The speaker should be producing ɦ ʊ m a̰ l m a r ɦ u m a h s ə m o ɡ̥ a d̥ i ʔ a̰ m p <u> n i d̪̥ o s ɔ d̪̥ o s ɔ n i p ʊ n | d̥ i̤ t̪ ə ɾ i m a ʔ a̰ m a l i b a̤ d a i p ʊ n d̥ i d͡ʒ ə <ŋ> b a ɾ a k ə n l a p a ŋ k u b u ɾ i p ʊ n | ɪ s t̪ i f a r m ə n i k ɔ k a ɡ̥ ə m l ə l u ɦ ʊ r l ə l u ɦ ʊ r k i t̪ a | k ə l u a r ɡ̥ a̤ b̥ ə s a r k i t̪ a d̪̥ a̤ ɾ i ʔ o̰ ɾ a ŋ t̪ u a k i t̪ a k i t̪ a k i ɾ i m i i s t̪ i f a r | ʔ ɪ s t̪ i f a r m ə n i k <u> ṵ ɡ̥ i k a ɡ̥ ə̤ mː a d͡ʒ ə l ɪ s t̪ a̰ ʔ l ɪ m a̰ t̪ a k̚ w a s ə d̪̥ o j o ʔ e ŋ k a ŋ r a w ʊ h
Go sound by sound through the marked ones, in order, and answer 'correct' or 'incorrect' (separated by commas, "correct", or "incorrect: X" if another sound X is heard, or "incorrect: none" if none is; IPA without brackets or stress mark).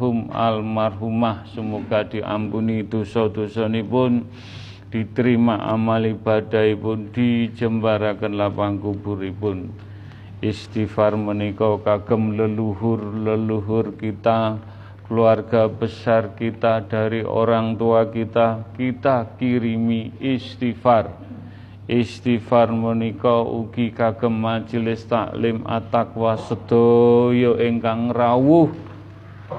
correct, incorrect: m, incorrect: ɔ